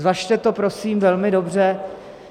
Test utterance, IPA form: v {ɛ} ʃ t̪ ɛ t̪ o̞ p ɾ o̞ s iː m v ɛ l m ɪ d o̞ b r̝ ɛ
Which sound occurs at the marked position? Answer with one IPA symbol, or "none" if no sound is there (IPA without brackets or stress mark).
a